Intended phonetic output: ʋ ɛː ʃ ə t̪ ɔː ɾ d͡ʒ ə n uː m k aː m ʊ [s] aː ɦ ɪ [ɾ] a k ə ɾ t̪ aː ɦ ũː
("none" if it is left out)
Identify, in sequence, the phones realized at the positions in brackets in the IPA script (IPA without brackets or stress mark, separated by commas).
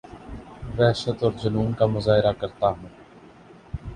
z, ɾ